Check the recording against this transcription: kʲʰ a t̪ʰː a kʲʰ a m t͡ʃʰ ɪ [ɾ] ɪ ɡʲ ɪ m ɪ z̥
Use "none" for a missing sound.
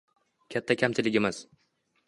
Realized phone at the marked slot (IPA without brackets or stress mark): l